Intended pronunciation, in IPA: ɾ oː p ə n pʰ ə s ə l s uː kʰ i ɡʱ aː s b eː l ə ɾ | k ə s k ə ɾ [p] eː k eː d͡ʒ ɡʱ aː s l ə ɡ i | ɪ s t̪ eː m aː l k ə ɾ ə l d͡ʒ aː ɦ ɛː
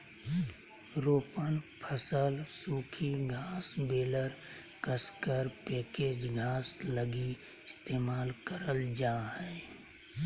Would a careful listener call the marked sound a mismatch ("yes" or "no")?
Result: no